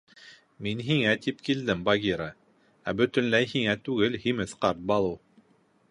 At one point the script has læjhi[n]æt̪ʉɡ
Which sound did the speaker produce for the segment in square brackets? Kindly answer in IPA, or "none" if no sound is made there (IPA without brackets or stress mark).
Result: ŋ